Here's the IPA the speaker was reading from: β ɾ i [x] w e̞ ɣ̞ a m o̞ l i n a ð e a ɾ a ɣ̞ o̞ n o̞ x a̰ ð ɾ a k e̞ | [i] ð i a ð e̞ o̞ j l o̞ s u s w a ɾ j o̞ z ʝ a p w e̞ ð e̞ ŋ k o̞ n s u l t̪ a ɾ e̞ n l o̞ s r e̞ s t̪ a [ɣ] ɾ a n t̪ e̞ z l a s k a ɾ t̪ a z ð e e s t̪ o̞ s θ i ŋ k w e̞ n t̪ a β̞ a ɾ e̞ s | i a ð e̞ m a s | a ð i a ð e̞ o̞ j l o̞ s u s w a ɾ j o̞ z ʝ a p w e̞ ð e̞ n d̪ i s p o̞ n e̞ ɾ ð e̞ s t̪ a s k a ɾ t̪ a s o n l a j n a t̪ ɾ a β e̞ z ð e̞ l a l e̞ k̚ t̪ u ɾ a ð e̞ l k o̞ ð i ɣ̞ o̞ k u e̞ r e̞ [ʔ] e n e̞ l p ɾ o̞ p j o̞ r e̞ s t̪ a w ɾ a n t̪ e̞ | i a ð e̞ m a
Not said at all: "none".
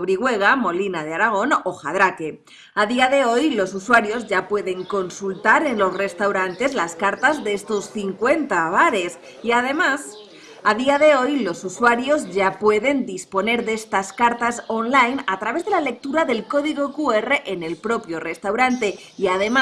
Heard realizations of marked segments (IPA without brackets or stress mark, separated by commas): ɣ, a, w, ʔ